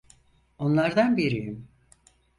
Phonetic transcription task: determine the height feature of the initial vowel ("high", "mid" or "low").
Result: mid